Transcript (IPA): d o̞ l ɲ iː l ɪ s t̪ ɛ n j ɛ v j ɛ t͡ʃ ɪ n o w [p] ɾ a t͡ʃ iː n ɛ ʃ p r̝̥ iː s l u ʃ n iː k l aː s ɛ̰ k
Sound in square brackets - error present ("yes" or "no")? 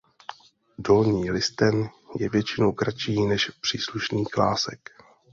yes